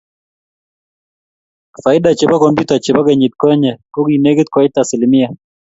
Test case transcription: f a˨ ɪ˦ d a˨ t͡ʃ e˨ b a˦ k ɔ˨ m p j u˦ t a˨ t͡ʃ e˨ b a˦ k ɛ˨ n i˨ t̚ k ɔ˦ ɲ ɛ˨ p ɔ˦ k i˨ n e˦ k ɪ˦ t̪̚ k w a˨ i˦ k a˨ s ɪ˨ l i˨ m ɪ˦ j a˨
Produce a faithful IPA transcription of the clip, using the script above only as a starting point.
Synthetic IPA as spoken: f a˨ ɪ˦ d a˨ t͡ʃ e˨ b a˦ k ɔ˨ m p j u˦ t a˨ t͡ʃ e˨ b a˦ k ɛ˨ ɲ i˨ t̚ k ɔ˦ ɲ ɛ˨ k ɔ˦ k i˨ n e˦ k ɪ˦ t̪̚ k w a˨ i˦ t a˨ s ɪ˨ l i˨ m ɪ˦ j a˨

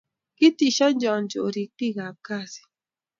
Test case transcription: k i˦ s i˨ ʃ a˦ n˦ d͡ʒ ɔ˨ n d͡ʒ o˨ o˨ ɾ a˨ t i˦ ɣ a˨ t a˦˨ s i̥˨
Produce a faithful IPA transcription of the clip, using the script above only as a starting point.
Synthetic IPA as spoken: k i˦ t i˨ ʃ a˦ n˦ d͡ʒ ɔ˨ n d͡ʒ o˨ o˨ ɾ i˨ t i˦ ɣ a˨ k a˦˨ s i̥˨

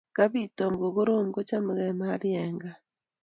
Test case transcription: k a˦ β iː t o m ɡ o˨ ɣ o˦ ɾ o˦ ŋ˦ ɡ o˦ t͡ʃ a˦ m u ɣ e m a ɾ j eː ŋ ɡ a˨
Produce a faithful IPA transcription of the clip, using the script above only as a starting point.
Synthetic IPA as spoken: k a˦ β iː t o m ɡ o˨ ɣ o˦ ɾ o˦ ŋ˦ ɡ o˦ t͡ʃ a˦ m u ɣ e m a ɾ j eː ŋ ɡ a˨

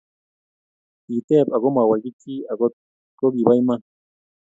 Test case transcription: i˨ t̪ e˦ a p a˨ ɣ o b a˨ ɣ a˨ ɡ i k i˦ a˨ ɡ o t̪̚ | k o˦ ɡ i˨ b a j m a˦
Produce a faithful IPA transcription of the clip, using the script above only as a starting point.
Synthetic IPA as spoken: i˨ t̪ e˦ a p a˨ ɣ o m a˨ w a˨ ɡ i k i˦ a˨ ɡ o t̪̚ | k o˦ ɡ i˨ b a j m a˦

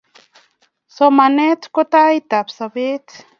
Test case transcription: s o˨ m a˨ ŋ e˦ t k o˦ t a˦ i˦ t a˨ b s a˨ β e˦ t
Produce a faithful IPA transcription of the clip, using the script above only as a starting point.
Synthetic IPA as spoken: s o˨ m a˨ n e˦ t k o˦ t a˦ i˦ t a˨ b s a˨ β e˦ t

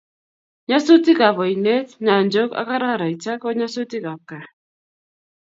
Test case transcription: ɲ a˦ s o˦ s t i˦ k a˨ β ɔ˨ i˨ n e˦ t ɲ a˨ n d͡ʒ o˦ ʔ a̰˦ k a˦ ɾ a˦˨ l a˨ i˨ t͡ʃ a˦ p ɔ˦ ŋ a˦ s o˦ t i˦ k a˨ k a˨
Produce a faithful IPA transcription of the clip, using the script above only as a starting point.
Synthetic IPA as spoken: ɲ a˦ s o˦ t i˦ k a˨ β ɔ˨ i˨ n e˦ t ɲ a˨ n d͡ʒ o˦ k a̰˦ k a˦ ɾ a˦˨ ɾ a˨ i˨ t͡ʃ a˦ k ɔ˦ ɲ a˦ s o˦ t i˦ k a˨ k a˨

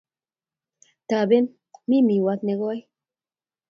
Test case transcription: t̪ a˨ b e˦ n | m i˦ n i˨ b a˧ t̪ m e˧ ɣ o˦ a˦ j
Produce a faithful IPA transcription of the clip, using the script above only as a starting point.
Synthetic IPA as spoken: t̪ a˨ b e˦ n | m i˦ m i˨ w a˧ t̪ n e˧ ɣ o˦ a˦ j

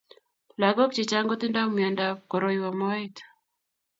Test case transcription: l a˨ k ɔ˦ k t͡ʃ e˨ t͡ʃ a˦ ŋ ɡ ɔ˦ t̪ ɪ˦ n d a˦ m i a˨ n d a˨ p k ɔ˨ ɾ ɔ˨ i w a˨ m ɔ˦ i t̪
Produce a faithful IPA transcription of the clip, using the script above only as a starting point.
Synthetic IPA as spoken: l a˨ ɡ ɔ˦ k t͡ʃ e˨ t͡ʃ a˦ ŋ ɡ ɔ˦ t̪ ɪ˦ n d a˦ m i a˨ n d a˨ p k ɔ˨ ɾ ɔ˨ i w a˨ m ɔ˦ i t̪

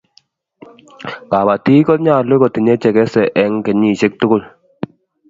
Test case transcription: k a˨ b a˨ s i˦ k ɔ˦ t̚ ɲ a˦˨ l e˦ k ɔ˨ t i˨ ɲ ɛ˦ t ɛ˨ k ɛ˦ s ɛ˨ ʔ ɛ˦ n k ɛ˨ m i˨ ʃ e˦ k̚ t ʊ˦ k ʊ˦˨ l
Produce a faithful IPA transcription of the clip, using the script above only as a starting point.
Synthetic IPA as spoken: k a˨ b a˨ t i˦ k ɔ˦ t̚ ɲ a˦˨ l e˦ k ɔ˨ t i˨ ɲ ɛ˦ t͡ʃ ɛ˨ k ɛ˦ s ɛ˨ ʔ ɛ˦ ŋ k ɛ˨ ɲ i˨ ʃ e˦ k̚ t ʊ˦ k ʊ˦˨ l

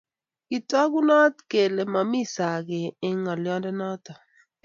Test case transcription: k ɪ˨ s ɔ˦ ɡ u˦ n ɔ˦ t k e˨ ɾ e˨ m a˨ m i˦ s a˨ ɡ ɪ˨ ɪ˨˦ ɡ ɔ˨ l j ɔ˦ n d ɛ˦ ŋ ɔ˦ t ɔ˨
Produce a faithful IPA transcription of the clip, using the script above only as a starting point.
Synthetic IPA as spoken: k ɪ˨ t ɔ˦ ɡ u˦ n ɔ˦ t k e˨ l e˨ m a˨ m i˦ s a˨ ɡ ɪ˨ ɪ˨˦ ŋ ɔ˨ l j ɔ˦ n d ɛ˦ n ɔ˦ t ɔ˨

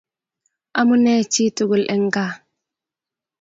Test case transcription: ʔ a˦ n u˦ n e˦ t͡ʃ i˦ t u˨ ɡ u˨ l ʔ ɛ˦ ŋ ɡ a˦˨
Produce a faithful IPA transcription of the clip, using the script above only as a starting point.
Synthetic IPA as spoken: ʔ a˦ m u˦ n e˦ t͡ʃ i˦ t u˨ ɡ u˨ l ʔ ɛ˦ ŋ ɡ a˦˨

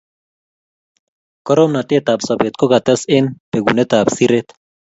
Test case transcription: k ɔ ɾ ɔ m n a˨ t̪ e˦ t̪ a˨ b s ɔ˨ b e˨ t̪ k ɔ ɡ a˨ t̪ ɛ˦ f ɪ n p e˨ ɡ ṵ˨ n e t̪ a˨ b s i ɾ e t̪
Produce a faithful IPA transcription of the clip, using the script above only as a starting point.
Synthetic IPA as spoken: k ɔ ɾ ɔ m n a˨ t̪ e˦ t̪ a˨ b s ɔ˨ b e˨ t̪ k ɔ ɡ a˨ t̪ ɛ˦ s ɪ n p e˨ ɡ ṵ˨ n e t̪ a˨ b s i ɾ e t̪

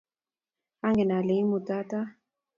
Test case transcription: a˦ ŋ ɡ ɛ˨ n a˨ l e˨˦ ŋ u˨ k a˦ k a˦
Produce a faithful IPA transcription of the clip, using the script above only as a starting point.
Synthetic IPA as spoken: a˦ ŋ ɡ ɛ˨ n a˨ l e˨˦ m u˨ t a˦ t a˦

